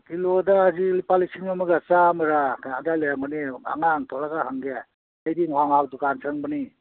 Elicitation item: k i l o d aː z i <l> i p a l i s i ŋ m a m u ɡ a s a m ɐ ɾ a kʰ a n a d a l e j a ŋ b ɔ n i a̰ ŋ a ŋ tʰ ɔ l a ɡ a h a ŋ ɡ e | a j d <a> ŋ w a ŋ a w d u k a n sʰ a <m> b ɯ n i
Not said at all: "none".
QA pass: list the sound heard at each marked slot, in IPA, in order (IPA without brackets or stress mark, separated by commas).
l, i, ŋ